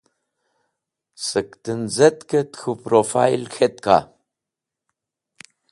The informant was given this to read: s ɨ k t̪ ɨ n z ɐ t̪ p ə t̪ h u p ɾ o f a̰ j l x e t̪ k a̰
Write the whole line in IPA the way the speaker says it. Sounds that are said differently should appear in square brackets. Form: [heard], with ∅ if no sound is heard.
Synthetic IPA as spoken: s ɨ k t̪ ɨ n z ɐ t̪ [k] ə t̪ [x] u p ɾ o f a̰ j l x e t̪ k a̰